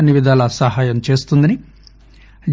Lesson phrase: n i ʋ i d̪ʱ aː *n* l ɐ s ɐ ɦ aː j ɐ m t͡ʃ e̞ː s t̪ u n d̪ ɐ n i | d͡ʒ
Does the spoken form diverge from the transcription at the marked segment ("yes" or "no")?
yes